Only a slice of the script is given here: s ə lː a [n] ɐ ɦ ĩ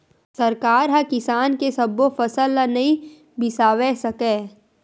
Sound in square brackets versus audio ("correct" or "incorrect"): correct